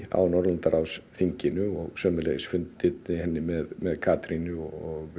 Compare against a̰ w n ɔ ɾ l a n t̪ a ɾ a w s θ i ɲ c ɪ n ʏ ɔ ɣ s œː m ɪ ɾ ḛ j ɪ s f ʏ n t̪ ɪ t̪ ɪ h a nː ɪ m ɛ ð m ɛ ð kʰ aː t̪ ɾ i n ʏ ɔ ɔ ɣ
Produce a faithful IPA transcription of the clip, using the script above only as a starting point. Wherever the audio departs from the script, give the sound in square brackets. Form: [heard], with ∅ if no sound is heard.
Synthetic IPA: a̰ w n ɔ ɾ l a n t̪ a ɾ a w s θ i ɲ c ɪ n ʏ ɔ ɣ s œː m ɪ [l] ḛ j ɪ s f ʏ n t̪ ɪ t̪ ɪ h [ɛ] nː ɪ m ɛ ð m ɛ ð kʰ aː t̪ ɾ i n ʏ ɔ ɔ ɣ